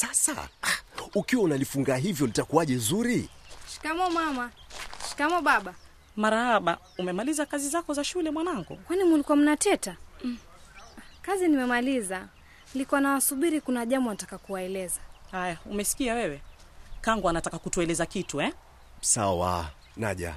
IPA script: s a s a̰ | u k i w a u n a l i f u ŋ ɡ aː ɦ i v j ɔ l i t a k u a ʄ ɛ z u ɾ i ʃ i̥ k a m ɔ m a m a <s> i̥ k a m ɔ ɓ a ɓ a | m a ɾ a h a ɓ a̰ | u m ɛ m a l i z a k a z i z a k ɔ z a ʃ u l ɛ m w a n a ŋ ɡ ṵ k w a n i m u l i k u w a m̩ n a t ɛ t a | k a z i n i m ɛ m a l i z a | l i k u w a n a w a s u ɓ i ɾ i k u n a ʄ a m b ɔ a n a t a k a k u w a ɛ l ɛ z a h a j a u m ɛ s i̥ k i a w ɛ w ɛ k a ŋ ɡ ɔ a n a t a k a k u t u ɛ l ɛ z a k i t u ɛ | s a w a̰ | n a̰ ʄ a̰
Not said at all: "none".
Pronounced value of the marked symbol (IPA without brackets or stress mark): ʃ